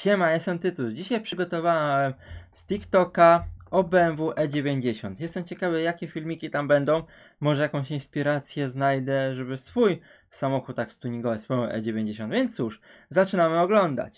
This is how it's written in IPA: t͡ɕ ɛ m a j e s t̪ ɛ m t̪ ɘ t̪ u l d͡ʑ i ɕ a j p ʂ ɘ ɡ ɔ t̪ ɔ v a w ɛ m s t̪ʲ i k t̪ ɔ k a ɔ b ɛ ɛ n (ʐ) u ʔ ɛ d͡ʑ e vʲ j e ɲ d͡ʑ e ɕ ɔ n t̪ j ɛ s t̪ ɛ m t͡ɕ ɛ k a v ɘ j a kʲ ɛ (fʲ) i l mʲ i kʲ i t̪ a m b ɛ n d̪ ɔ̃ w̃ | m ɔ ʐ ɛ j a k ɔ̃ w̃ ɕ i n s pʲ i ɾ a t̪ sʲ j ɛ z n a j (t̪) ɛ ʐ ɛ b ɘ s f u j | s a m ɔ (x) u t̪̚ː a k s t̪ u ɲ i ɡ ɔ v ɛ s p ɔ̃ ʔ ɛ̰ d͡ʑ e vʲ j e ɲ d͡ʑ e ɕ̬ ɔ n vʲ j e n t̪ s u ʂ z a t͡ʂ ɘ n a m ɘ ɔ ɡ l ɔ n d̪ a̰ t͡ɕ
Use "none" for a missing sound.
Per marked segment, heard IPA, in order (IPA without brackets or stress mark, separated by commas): v, fʲ, d̪, x